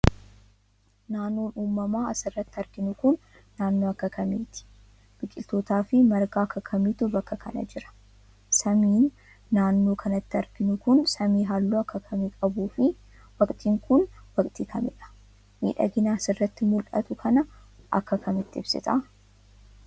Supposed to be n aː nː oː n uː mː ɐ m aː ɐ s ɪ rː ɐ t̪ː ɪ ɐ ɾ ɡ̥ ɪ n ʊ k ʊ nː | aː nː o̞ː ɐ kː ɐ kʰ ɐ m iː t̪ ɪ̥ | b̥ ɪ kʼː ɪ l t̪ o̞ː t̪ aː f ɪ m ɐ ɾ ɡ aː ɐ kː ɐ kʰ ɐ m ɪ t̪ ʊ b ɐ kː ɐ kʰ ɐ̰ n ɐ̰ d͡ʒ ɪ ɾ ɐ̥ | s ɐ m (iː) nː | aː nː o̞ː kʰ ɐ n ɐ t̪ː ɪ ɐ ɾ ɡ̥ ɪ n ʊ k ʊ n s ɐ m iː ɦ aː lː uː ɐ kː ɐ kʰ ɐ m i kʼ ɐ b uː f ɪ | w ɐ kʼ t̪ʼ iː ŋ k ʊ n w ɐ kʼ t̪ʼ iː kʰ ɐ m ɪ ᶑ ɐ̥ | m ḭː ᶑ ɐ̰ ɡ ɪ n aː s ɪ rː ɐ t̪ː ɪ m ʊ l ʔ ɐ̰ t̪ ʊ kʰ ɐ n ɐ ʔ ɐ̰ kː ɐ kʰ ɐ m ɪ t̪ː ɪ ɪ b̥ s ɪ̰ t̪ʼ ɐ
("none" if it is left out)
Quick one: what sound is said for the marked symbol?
iː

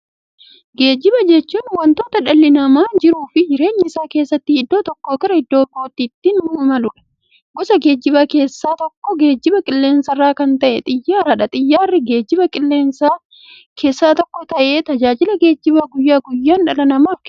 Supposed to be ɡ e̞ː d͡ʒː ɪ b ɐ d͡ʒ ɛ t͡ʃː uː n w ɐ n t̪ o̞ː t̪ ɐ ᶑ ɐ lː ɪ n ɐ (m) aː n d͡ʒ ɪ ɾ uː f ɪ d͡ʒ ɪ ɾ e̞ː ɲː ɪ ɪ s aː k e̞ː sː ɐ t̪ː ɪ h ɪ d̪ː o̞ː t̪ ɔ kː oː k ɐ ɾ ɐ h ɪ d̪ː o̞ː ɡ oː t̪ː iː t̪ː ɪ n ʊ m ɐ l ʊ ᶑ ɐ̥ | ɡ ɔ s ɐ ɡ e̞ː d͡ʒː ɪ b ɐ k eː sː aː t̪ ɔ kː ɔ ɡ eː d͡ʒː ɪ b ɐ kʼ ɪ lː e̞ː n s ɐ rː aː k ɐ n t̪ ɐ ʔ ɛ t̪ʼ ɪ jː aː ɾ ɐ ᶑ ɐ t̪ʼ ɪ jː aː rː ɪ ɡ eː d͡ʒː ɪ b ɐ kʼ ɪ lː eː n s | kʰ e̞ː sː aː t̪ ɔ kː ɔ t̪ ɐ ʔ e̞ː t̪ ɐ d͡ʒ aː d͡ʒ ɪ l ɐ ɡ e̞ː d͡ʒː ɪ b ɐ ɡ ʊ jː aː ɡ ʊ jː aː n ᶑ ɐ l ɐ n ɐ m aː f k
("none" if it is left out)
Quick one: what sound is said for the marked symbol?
m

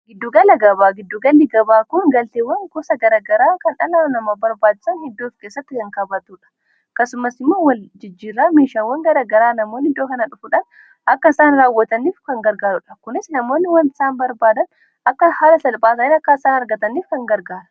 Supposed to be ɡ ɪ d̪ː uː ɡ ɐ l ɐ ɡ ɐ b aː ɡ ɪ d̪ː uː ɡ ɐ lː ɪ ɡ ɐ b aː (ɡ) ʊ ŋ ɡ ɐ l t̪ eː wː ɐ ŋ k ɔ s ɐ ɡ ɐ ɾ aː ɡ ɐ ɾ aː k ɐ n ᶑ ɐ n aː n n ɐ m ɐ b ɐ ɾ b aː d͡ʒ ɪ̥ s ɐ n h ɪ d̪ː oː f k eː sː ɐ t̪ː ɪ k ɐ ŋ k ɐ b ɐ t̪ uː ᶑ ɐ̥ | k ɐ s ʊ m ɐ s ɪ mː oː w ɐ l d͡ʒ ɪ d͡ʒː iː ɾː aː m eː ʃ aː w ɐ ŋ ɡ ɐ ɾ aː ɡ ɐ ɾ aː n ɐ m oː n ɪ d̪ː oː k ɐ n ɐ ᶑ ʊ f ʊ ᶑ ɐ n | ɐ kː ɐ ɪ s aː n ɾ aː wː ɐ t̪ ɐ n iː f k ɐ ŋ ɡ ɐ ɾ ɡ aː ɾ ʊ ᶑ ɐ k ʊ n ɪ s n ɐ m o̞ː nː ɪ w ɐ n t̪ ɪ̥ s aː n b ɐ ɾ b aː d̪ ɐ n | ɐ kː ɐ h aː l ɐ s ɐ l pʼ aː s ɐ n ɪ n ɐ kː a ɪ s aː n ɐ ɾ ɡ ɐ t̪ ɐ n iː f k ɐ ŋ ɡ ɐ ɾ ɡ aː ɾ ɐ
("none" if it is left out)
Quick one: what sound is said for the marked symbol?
k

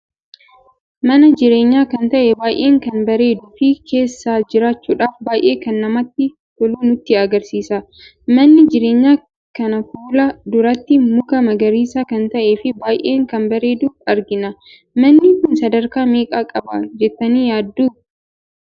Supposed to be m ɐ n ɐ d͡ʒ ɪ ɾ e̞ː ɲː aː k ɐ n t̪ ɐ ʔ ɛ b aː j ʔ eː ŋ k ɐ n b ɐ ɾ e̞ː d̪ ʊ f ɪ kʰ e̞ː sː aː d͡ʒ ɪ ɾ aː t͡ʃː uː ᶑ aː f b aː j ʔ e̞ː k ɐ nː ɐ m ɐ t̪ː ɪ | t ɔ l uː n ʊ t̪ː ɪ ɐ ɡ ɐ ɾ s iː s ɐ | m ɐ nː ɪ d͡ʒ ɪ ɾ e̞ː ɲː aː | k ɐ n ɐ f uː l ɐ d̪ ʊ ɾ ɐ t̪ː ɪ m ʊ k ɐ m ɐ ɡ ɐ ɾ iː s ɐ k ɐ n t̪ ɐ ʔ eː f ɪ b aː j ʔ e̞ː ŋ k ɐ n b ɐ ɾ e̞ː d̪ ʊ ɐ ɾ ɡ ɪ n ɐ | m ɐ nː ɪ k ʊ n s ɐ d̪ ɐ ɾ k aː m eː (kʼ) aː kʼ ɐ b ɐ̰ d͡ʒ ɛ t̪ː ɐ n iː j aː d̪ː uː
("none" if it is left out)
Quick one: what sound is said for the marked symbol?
kʼ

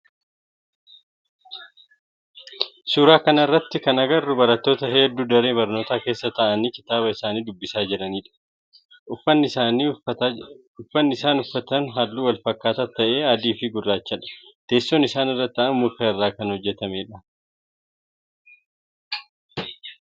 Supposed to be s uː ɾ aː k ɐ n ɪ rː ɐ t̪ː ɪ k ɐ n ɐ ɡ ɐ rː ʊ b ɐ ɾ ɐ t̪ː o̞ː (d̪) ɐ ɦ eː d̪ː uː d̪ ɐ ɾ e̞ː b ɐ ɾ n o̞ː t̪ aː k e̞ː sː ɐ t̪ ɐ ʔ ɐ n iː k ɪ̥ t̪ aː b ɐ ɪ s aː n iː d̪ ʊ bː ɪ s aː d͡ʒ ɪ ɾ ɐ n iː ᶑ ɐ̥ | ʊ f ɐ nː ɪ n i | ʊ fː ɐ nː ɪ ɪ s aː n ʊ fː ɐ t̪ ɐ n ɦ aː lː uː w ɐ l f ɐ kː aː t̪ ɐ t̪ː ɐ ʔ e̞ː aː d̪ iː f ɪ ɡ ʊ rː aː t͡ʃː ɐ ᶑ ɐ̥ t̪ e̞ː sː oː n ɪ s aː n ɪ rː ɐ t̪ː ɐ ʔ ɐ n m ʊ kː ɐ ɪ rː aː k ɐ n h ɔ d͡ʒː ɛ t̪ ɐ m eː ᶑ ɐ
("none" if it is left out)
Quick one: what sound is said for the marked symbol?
t̪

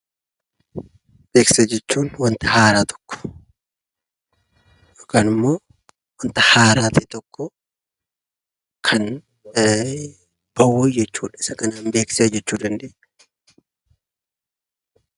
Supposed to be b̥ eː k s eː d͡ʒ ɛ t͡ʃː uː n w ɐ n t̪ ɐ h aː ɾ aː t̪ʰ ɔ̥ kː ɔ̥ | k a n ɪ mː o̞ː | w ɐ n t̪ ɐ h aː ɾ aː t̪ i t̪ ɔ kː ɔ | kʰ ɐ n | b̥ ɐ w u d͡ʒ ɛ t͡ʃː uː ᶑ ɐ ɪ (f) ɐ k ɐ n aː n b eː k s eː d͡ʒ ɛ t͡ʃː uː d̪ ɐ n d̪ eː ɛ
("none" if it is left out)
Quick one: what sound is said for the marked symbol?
s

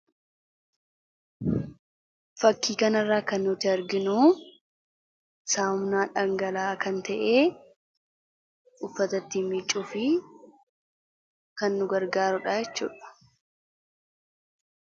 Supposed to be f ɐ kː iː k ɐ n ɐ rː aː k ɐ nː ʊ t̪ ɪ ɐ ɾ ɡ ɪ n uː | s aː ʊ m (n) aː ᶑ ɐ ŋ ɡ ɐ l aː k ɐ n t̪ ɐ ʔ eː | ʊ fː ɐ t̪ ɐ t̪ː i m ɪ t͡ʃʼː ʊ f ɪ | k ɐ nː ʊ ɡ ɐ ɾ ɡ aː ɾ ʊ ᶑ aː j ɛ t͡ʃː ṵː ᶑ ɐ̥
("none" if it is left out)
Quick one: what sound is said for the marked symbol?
n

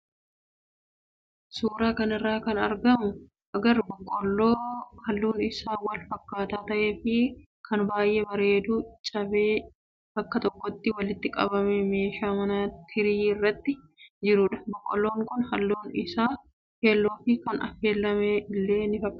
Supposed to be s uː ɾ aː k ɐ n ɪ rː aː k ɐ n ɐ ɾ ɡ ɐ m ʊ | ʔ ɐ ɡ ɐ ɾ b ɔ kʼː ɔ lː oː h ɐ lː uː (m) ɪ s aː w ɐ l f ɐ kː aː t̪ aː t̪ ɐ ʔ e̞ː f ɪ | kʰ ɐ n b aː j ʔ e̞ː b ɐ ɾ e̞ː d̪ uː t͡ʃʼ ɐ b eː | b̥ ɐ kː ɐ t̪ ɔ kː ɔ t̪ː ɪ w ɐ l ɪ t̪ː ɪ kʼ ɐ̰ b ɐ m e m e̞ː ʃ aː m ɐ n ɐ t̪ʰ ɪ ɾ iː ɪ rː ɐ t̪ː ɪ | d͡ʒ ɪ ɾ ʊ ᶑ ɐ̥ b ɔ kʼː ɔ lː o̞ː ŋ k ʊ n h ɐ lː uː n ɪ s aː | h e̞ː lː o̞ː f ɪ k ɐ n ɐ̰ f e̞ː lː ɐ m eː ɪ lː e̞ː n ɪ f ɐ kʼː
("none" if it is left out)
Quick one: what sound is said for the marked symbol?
n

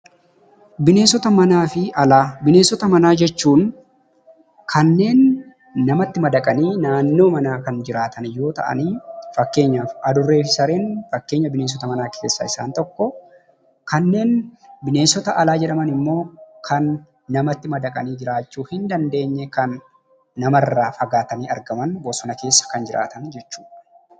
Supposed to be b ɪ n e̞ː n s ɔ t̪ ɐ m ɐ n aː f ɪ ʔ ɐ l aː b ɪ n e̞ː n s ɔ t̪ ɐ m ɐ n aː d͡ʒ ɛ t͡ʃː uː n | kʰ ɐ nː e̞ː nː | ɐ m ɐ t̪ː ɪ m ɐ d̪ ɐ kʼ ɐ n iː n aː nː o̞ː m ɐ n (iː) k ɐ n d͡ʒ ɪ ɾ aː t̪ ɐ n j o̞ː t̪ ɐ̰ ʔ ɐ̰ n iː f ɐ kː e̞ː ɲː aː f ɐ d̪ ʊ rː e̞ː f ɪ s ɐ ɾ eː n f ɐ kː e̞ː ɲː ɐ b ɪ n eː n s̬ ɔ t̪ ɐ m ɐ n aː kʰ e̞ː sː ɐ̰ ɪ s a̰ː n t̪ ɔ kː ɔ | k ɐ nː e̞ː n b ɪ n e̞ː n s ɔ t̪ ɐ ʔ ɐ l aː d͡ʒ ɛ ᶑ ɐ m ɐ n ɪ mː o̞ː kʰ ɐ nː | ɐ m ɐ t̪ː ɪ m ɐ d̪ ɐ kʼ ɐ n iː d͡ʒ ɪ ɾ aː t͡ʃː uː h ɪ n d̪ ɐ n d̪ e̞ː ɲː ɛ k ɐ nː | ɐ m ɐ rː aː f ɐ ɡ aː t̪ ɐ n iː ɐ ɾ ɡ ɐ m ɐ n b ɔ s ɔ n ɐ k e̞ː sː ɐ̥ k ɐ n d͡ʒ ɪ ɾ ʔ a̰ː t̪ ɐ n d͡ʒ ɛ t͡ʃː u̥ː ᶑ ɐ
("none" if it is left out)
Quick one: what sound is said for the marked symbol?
aː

